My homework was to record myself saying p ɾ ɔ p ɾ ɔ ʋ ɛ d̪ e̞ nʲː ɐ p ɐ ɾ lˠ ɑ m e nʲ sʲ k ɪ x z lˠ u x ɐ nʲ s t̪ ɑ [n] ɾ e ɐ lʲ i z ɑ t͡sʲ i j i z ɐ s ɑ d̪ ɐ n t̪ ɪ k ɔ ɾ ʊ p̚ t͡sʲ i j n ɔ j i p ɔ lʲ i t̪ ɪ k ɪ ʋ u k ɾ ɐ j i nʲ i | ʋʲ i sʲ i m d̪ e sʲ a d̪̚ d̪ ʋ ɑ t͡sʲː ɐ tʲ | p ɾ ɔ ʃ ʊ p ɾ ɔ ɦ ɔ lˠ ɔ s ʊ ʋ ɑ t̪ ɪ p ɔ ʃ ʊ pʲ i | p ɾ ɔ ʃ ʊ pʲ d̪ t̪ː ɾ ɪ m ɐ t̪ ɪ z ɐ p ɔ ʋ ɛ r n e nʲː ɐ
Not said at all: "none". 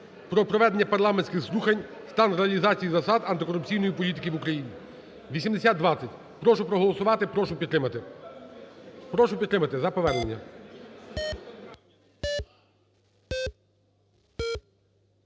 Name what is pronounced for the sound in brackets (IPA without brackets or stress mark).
n